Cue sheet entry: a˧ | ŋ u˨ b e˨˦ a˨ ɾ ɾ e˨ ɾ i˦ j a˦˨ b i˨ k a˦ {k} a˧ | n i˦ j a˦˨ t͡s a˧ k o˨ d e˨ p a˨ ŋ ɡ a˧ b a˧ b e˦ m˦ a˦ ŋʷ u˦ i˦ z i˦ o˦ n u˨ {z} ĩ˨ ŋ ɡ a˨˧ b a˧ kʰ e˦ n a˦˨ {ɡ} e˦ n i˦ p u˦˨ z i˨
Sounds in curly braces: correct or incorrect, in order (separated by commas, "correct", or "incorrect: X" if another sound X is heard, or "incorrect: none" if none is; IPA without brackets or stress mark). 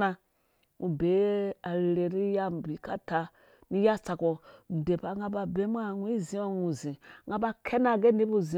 incorrect: t, correct, correct